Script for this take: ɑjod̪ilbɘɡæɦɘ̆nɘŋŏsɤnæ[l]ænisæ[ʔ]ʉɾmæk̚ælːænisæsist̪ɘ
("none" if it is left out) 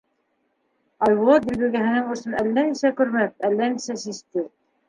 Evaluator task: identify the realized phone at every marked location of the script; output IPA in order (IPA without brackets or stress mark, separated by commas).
lː, k